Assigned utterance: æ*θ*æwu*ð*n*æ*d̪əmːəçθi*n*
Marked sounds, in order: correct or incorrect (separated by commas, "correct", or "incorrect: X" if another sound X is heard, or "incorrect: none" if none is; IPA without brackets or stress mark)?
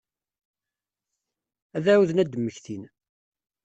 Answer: incorrect: ð, correct, correct, correct